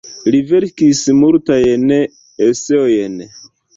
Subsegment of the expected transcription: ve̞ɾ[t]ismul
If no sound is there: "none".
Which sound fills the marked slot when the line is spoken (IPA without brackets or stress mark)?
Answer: k